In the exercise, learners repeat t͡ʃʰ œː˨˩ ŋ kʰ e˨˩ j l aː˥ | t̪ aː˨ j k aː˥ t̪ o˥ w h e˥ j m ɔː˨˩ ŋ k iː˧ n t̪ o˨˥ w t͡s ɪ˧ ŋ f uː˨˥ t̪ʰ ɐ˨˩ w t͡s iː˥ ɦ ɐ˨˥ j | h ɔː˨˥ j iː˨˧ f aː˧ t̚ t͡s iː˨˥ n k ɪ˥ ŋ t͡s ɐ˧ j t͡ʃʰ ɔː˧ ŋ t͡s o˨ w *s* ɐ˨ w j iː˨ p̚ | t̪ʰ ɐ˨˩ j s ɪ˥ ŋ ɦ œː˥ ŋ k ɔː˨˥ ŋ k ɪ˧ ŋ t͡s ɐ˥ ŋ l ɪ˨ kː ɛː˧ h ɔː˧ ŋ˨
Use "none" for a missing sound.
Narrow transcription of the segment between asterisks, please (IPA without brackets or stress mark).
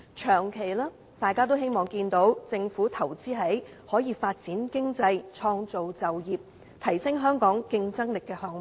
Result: t͡s